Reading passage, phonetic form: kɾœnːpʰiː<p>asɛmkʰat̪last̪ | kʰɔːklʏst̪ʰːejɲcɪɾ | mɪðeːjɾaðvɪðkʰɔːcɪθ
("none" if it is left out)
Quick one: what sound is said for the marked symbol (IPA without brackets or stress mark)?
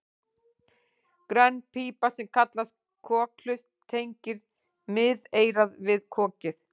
p